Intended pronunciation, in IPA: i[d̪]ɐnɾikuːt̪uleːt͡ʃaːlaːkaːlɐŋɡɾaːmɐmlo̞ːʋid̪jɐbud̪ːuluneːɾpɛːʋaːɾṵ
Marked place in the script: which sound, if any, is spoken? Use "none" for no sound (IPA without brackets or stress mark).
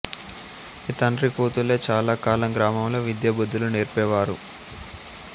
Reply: t̪